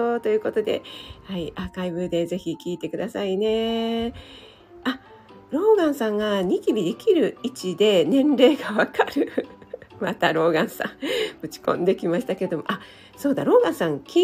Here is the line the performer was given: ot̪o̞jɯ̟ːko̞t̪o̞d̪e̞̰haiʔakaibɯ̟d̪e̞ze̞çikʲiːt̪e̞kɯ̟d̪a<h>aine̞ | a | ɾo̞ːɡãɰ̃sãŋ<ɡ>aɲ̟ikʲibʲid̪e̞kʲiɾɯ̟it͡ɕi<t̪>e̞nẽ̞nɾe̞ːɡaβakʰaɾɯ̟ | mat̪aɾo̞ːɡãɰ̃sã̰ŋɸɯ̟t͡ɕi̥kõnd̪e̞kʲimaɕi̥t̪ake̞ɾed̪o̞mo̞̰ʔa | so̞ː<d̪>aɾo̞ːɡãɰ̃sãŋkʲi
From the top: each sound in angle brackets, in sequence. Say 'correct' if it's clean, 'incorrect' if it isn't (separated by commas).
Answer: incorrect, correct, incorrect, correct